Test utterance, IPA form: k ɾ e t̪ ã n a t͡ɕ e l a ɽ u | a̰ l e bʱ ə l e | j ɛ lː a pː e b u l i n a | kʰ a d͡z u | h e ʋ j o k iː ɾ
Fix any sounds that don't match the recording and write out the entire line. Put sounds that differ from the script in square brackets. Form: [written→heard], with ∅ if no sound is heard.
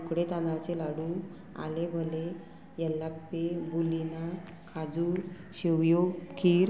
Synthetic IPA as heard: k [ɾ→ɽ] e t̪ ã n a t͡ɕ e l a ɽ u | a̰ l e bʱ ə l e | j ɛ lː a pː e b u l i n a | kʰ a d͡z u | [h→ɕ] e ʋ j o k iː ɾ

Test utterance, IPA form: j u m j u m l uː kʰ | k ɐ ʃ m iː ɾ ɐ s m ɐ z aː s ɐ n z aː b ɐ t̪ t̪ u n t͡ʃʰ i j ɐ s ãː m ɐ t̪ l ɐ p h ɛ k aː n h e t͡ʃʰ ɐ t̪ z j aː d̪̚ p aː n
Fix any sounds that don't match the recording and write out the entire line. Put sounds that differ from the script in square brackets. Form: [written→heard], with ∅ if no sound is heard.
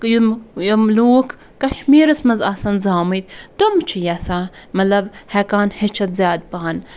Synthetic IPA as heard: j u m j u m l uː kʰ | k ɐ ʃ m iː ɾ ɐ s m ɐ z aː s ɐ n z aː [b→m] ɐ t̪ t̪ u [n→m] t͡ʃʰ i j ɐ s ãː m ɐ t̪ l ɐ [p→b] h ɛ k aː n h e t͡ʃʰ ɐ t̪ z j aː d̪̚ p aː n

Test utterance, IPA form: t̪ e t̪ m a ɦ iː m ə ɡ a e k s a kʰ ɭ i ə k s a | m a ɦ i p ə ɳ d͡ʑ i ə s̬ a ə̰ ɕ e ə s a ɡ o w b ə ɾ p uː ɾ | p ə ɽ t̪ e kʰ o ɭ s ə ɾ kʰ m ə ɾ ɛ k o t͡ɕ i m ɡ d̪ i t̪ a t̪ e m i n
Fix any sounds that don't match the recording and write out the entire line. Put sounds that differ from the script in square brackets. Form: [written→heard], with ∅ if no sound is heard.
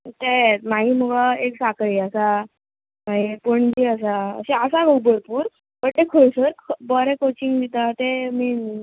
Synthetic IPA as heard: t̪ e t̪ m a ɦ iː m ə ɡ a e k s a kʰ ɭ i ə [k→∅] s a | m a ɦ i p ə ɳ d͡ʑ i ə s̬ a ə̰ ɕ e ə s a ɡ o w b ə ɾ p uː ɾ | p ə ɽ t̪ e kʰ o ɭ s ə ɾ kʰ [m→b] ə ɾ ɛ k o t͡ɕ i [m→ŋ] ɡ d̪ i t̪ a t̪ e m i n

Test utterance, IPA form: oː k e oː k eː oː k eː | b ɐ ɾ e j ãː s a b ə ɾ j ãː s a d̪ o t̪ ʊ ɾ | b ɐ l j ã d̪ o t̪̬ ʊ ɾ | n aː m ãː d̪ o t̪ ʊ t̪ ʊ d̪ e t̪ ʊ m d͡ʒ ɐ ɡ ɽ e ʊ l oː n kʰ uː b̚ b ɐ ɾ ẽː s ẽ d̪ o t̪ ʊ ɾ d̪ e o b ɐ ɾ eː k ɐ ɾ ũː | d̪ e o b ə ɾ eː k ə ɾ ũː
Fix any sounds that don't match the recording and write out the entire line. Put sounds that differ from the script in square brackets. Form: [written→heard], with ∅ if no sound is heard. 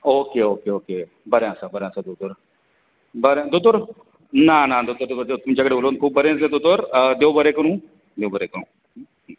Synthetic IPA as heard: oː k e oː k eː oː k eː | b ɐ ɾ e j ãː s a b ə ɾ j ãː s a d̪ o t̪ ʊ ɾ | b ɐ [l→ɾ] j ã d̪ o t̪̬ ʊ ɾ | n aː [m→n] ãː d̪ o t̪ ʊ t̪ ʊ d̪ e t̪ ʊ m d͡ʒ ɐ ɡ ɽ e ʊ l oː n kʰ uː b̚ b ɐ ɾ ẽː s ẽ d̪ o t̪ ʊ ɾ d̪ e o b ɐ ɾ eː k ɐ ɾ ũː | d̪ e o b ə ɾ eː k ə ɾ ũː

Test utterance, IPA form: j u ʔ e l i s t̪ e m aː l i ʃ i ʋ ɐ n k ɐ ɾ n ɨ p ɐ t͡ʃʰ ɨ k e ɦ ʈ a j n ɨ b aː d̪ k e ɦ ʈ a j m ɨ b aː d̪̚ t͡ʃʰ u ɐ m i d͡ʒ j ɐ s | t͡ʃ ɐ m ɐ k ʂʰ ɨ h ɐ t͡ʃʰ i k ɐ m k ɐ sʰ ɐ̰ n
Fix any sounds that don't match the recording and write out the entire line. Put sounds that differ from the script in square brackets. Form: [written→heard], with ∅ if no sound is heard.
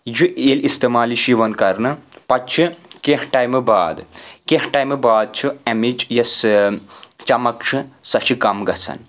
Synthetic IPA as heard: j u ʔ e l i s t̪ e m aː l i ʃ i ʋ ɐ n k ɐ ɾ n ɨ p ɐ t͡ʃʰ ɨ k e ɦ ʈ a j [n→m] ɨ b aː d̪ k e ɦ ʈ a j m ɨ b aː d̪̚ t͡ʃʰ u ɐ m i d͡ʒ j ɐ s | t͡ʃ ɐ m ɐ k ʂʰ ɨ [h→s] ɐ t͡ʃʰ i k ɐ m [k→ɡ] ɐ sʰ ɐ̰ n

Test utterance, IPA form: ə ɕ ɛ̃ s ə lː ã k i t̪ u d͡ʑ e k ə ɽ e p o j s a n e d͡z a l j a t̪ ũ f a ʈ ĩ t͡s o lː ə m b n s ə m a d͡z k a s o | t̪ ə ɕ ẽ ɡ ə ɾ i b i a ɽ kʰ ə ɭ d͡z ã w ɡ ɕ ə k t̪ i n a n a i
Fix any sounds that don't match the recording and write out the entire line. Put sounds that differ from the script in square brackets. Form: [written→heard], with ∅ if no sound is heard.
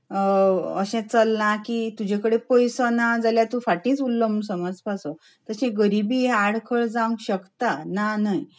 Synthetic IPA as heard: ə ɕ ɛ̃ [s→t͡s] ə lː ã k i t̪ u d͡ʑ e k ə ɽ e p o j s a n [e→a] d͡z a l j a t̪ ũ f a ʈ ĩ t͡s [o→u] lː ə m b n s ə m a d͡z [k→p] a s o | t̪ ə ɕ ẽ ɡ ə ɾ i b i a ɽ kʰ ə ɭ d͡z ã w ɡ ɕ ə k t̪ [i→a] n a n a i

